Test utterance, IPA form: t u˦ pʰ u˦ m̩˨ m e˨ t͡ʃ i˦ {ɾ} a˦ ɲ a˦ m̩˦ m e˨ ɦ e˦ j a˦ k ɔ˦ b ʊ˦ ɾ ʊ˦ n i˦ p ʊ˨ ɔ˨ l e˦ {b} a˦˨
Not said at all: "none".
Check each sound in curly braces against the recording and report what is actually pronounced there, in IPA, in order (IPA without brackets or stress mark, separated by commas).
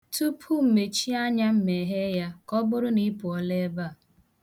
none, b